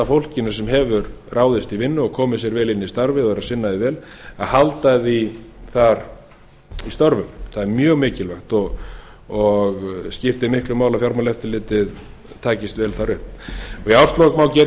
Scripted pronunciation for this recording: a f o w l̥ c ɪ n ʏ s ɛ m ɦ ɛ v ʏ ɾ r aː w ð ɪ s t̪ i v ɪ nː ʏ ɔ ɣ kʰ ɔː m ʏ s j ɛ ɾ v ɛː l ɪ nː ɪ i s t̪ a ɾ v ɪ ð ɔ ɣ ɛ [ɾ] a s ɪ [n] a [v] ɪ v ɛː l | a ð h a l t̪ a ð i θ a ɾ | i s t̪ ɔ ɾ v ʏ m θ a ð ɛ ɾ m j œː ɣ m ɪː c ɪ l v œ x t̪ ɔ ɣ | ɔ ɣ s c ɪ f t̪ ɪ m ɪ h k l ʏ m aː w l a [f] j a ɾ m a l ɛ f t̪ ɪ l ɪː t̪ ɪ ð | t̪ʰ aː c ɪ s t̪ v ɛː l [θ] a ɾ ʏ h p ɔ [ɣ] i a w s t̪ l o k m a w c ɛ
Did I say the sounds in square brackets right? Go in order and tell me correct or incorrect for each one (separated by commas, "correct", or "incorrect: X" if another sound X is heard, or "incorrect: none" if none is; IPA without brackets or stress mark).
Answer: correct, incorrect: nː, incorrect: ð, correct, correct, correct